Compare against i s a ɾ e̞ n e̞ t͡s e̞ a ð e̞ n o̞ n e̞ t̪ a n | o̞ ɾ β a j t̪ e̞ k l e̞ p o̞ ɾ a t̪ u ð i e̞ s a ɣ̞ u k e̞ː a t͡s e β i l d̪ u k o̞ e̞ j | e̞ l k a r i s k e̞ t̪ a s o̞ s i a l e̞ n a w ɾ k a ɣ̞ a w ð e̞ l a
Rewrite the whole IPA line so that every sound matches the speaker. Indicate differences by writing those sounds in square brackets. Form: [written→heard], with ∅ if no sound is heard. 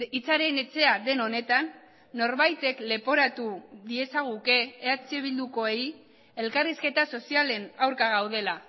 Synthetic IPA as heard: i [s→t͡s] a ɾ e̞ n e̞ t͡s e̞ a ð e̞ n o̞ n e̞ t̪ a [n→nː] | o̞ ɾ β a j t̪ e̞ k l e̞ p o̞ ɾ a t̪ u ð i e̞ s a ɣ̞ u k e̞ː a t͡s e β i l d̪ u k o̞ e̞ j | e̞ l k a r i s k e̞ t̪ a s o̞ s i a l e̞ n a w ɾ k a ɣ̞ a w ð e̞ l a